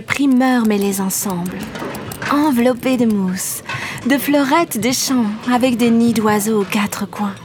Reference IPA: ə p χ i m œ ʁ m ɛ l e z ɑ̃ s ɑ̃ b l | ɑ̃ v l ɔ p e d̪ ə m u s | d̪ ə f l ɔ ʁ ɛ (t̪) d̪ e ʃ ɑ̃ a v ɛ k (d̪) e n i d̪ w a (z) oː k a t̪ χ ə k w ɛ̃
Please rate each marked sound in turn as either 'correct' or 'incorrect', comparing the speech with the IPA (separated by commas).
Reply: correct, correct, correct